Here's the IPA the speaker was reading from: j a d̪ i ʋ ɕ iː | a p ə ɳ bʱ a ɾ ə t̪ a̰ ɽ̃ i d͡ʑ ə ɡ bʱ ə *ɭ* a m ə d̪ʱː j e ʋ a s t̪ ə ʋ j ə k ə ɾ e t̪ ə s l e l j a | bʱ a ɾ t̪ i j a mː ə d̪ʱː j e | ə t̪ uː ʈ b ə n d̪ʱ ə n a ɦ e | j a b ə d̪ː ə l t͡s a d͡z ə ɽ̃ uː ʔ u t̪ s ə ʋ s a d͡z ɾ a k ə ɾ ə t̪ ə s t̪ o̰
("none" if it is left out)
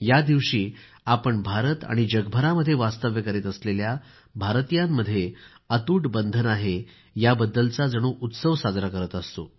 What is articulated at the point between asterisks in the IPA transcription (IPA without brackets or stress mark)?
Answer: ɾ